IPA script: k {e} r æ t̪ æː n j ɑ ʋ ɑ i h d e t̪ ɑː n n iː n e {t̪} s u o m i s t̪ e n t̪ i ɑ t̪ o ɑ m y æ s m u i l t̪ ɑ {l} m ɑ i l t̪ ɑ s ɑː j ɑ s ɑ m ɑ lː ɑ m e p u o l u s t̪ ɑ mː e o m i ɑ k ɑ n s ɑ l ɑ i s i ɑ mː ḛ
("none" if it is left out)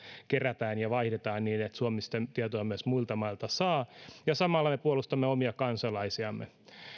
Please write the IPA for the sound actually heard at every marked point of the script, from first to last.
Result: e, t̪, none

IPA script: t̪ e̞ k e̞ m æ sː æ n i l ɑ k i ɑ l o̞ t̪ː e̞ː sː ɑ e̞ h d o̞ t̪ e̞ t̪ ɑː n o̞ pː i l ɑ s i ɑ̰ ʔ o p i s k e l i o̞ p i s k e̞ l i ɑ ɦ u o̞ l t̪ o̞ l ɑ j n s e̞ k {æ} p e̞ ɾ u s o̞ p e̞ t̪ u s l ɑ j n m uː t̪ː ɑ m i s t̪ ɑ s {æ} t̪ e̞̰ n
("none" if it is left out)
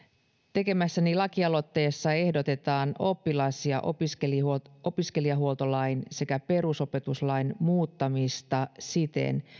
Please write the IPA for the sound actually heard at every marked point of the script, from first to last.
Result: æ, i

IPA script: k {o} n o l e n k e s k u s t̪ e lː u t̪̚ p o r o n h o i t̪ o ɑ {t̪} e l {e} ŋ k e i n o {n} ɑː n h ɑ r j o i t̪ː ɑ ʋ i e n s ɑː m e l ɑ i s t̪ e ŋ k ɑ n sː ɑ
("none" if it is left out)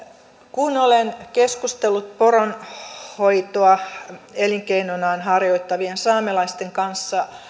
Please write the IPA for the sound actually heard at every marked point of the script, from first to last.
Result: u, none, i, n

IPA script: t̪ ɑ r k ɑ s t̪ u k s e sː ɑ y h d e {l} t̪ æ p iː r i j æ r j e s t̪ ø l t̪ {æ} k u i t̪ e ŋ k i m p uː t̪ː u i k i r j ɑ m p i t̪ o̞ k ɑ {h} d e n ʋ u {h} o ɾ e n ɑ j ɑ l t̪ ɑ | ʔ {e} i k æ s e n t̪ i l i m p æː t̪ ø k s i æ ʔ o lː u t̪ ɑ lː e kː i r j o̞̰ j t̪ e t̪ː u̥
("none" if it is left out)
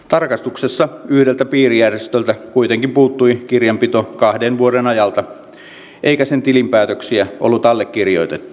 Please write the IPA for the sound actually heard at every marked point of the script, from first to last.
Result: l, æ, h, none, e

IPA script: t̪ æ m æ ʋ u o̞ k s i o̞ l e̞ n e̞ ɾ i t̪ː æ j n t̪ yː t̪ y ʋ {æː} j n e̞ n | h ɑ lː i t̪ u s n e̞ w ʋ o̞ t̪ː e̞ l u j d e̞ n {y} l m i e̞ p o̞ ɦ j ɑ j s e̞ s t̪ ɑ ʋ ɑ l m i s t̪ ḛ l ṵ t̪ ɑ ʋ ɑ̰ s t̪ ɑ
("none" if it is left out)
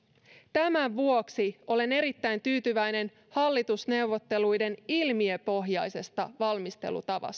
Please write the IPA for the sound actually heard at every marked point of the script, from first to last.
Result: æ, i

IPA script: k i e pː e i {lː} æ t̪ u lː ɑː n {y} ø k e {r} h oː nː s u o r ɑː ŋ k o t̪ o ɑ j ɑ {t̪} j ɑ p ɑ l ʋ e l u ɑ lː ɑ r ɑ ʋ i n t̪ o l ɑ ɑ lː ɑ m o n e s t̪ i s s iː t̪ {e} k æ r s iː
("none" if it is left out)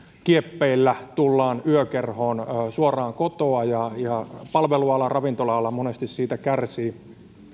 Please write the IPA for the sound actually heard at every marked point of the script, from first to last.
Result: lː, y, r, none, æ

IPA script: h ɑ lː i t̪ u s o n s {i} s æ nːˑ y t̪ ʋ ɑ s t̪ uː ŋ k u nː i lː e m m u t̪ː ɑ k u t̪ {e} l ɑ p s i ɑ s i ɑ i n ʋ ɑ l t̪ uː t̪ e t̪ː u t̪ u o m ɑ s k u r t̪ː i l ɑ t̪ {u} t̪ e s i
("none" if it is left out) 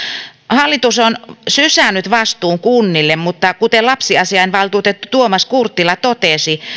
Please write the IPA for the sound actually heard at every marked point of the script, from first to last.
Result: y, e, o

